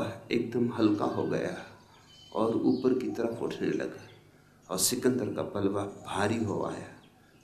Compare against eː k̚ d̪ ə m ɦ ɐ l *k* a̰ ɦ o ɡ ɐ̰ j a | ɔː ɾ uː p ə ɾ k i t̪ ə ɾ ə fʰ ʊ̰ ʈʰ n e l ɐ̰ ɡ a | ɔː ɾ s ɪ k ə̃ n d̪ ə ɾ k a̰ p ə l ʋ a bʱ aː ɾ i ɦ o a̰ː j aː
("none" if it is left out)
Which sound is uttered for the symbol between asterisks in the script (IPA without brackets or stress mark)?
k